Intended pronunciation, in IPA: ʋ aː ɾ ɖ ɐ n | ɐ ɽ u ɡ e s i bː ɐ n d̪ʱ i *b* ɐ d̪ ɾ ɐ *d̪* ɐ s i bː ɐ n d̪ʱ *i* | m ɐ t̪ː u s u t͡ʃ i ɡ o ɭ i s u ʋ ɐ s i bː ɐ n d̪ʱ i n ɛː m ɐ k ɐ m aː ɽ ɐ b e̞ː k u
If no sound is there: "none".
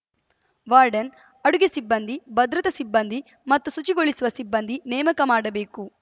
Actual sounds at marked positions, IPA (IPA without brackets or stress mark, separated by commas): b, t̪, i